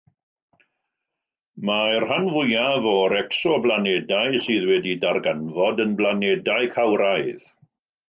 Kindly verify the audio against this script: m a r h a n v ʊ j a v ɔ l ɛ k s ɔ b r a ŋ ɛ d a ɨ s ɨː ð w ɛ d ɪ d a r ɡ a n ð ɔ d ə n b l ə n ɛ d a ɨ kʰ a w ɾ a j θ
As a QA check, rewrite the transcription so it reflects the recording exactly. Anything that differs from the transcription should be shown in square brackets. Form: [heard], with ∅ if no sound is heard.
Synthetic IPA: m a r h a n v ʊ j a v ɔ [ɾ] ɛ k s ɔ b [l] a [n] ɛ d a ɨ s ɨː ð w ɛ d [i] d a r ɡ a n [v] ɔ d ə n b l [a] n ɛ d a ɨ kʰ a w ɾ a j [ð]